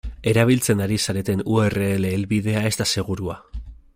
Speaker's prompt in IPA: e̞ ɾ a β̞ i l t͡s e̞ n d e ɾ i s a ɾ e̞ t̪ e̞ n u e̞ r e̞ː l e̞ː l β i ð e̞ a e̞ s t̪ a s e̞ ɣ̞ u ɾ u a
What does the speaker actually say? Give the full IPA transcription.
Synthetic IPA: e̞ ɾ a β̞ i l t͡s e̞ n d a ɾ i s a ɾ e̞ t̪ e̞ n u e̞ r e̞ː l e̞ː l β i ð e̞ a e̞ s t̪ a s e̞ ɣ̞ u ɾ u a